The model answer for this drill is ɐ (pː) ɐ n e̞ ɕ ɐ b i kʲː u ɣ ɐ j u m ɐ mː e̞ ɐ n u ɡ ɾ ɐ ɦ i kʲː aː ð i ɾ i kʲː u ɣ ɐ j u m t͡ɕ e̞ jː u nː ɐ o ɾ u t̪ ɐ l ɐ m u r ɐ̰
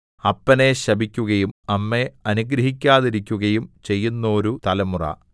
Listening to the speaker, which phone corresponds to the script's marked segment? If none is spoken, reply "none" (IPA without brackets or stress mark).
pː